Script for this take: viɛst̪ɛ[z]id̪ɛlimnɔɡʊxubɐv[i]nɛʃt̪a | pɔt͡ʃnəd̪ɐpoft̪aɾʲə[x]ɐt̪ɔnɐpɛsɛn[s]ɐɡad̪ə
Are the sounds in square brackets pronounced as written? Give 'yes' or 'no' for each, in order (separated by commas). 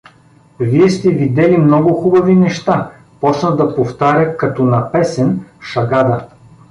no, yes, no, no